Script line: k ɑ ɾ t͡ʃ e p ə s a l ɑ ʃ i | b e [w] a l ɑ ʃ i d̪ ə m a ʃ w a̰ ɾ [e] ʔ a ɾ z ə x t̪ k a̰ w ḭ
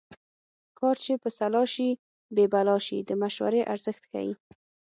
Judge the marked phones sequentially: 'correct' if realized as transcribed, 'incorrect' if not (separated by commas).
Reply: incorrect, correct